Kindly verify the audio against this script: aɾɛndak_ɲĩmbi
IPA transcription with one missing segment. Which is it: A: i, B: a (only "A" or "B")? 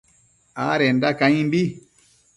B